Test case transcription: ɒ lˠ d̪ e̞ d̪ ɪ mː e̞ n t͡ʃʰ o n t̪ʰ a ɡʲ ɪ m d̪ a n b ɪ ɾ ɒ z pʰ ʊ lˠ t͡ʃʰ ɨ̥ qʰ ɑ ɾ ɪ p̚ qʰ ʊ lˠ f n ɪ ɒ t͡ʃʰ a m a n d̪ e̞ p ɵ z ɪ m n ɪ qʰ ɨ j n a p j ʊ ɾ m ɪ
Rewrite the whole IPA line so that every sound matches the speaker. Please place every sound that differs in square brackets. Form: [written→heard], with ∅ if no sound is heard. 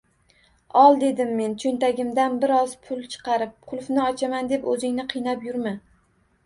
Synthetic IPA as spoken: ɒ lˠ d̪ e̞ d̪ ɪ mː e̞ n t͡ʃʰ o n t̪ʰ a ɡʲ ɪ m d̪ a n b ɪ ɾ ɒ z pʰ ʊ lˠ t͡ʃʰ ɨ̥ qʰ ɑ ɾ ɪ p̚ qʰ ʊ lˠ f n ɪ ɒ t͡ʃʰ a m a n d̪ e̞ p ɵ z ɪ [m→ŋ] n ɪ qʰ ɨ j n a p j ʊ ɾ m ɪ